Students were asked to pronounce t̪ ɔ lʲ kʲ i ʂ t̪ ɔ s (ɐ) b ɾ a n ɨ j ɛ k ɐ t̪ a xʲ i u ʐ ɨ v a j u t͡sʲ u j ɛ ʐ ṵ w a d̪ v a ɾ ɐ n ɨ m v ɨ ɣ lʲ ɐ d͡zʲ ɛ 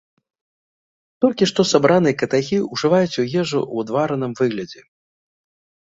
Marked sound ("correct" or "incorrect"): incorrect